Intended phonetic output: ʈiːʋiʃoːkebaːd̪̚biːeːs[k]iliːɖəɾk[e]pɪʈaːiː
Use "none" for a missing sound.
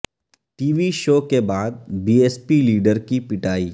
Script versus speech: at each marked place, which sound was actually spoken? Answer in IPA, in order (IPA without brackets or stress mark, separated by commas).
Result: p, i